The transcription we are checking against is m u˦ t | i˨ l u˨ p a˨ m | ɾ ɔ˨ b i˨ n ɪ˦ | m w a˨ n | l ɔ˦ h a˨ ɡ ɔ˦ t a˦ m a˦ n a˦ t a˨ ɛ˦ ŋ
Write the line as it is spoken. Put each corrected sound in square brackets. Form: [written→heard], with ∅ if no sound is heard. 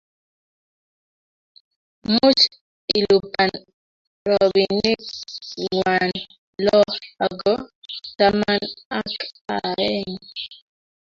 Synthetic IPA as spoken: m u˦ [t→t͡ʃ] | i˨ l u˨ p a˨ [m→n] | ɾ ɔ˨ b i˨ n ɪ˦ | [m→ŋ] w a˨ n | l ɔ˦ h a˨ ɡ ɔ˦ t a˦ m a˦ n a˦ [t→k] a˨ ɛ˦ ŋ